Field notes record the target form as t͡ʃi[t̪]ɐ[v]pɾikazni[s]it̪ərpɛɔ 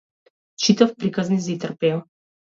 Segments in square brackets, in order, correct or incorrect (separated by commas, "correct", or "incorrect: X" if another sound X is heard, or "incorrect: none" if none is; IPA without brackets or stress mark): correct, incorrect: f, incorrect: z